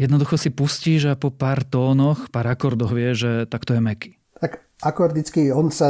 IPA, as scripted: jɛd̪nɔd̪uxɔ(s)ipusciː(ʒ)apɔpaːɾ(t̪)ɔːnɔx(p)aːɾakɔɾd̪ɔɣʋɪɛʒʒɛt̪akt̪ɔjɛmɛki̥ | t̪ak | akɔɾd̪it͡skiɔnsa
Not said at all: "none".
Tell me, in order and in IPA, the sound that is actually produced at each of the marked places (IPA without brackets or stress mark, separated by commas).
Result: s, ʒ, t̪, p